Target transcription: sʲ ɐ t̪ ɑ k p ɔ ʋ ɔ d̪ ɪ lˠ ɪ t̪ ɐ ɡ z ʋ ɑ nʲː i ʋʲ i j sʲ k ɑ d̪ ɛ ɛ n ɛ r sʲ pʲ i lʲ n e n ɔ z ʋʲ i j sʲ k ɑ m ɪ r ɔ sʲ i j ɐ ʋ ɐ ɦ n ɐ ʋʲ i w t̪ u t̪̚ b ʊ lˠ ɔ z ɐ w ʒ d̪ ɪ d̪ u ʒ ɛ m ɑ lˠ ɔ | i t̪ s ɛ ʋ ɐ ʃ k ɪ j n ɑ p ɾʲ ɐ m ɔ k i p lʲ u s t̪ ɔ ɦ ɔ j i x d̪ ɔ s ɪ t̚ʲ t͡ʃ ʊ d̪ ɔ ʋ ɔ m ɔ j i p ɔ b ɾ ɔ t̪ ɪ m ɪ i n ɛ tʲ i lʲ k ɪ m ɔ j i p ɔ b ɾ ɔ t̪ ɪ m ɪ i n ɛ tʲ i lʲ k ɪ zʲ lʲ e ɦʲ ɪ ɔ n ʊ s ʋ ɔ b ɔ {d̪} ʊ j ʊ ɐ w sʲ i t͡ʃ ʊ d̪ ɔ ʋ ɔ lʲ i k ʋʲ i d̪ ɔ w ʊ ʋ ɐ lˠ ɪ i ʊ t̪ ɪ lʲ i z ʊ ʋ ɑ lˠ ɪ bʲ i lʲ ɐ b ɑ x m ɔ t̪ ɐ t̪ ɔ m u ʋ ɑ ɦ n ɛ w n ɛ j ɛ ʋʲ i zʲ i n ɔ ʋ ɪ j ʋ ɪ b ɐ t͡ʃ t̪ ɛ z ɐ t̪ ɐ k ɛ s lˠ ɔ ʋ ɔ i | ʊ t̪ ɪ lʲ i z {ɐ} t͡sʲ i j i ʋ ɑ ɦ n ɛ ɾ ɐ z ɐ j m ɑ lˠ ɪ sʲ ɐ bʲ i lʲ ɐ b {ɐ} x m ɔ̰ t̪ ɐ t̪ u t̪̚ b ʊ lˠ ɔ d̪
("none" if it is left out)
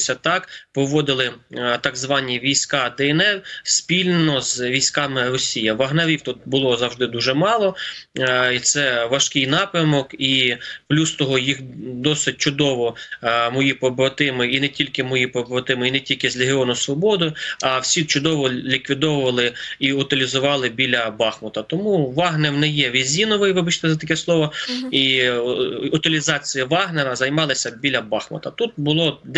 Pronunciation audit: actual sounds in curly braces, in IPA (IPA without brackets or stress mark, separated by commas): d̪, ɑ, ɑ